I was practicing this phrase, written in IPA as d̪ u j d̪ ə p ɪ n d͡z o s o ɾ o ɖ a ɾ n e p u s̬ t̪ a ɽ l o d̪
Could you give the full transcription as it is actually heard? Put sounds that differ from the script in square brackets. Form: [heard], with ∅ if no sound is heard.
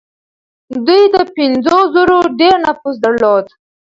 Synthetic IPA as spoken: d̪ u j d̪ ə p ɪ n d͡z o [z] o ɾ o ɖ [e] ɾ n [a] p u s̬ [d̪] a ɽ l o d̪

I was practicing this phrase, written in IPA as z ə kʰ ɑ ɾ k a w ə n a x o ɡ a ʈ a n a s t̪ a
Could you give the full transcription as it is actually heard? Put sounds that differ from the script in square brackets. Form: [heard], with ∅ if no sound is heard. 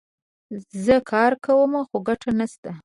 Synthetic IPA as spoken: z ə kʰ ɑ ɾ k a w ə [m] a x o ɡ a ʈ a n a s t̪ a

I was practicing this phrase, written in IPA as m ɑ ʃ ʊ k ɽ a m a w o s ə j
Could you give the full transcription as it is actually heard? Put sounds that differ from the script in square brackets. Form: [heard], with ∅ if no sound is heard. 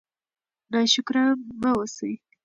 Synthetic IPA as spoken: [n] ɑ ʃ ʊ k [ɾ] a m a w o s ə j

